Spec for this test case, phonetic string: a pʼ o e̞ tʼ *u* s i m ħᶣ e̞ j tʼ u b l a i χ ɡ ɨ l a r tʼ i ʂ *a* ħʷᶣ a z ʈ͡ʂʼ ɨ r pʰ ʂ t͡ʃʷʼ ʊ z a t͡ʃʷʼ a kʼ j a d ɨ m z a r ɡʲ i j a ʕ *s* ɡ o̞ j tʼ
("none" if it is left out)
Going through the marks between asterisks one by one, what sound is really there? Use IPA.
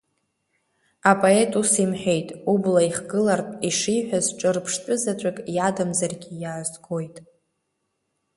u, i, z

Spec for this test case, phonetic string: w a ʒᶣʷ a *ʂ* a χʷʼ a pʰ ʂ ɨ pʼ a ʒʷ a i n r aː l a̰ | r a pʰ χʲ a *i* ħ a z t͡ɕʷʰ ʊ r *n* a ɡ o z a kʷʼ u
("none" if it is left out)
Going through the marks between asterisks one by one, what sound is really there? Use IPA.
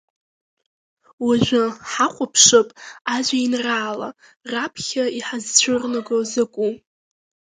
ħ, i, n

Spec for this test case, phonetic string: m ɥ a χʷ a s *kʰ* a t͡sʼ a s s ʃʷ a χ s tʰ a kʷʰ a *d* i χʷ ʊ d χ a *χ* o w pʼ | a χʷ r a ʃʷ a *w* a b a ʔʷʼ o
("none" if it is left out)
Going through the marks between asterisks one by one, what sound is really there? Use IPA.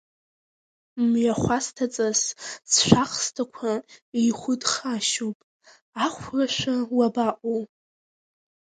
tʰ, none, ʃ, w

